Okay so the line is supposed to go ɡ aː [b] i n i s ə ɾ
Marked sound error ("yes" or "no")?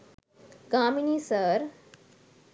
yes